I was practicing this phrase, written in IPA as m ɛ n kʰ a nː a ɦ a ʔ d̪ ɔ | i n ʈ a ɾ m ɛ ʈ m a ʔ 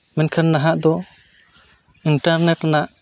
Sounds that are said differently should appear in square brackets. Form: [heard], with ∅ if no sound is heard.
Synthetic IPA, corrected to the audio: m ɛ n kʰ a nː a ɦ a ʔ d̪ ɔ | i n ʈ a ɾ [n] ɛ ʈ [n] a ʔ